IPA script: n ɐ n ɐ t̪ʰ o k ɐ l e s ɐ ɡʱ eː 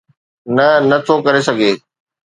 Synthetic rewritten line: n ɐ n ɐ t̪ʰ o k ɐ ɾ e s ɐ ɡʱ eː

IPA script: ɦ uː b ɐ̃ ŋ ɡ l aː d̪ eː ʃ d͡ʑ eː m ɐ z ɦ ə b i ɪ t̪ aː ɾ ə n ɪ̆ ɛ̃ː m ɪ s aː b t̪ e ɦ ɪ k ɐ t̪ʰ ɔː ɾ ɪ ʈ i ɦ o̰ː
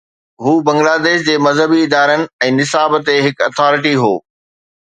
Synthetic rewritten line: ɦ uː b ɐ̃ ŋ ɡ l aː d̪ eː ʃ d͡ʑ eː m ɐ z ɦ ə b i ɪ d̪ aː ɾ ə n ɪ̆ ɛ̃ː n ɪ s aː b t̪ e ɦ ɪ k ɐ t̪ʰ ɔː ɾ ɪ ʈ i ɦ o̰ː

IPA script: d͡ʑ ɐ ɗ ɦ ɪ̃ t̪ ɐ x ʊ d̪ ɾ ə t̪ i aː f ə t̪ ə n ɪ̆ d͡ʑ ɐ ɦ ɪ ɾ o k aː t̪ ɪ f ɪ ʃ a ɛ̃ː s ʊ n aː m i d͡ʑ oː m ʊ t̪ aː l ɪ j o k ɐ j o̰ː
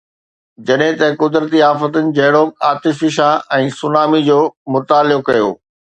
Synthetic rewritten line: d͡ʑ ɐ ɗ ɦ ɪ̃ t̪ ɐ k ʊ d̪ ɾ ə t̪ i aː f ə t̪ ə n ɪ̆ d͡ʑ ɐ ɦ ɪ ɽ o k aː t̪ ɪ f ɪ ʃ a ɛ̃ː s ʊ n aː m i d͡ʑ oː m ʊ t̪ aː l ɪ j o k ɐ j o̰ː

